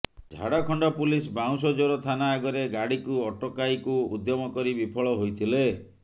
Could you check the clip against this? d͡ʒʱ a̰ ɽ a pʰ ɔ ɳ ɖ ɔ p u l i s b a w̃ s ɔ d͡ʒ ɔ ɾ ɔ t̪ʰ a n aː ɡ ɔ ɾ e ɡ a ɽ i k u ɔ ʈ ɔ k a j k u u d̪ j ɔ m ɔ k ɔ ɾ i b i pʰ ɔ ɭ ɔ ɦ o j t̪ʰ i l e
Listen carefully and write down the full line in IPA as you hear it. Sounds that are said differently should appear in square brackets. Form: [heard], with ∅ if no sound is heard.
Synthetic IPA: d͡ʒʱ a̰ ɽ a [kʰ] ɔ ɳ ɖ ɔ p u l i s b a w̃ s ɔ d͡ʒ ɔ ɾ ɔ t̪ʰ a n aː ɡ ɔ ɾ e ɡ a ɽ i k u ɔ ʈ ɔ k a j k u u d̪ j ɔ m ɔ k ɔ ɾ i b i pʰ ɔ ɭ ɔ ɦ o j t̪ʰ i l e